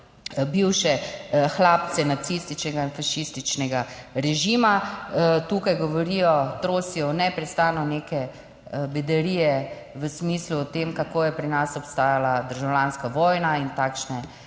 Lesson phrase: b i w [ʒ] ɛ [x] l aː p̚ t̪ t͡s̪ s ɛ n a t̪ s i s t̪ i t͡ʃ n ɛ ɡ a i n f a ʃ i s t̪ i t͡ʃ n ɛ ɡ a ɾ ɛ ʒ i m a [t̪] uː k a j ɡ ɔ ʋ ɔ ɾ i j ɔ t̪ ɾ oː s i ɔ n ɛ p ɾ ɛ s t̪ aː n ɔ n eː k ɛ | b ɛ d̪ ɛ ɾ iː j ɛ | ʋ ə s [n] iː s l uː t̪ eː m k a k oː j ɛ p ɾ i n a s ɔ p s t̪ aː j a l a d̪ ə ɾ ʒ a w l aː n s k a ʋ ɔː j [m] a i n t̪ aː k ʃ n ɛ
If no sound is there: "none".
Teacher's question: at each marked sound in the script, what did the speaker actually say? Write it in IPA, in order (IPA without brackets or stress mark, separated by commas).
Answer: ʃ, x, t̪, m, n